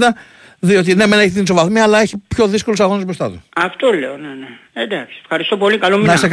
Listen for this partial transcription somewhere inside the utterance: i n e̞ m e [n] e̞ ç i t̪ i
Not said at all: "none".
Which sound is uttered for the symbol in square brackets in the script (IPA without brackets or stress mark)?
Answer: n